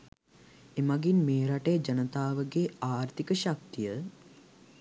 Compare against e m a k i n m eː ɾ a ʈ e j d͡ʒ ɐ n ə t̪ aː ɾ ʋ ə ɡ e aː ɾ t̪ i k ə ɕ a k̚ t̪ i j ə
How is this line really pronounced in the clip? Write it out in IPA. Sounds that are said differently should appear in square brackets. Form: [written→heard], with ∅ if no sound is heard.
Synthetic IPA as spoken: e m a [k→ɡ] i n m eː ɾ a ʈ e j d͡ʒ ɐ n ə t̪ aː [ɾ→∅] ʋ ə ɡ e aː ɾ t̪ i k ə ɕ a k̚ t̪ i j ə